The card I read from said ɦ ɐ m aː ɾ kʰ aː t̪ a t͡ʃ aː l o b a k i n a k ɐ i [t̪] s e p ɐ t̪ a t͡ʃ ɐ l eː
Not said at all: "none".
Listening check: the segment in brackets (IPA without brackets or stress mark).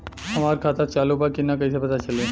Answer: none